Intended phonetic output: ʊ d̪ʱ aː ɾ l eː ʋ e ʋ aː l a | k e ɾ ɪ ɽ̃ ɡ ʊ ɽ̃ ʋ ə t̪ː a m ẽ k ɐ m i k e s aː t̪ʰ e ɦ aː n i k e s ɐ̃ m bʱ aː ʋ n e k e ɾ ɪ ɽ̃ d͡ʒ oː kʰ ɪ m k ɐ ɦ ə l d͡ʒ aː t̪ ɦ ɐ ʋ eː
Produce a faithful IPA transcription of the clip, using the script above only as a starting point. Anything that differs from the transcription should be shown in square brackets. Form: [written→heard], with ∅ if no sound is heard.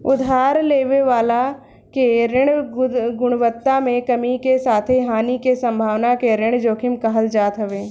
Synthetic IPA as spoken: ʊ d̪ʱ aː ɾ l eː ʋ e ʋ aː l a | k e ɾ ɪ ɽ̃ ɡ ʊ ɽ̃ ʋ ə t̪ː a m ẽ k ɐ m i k e s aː t̪ʰ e ɦ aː n i k e s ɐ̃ m bʱ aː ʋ n [e→a] k e ɾ ɪ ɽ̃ d͡ʒ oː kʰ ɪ m k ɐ ɦ ə l d͡ʒ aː t̪ ɦ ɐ ʋ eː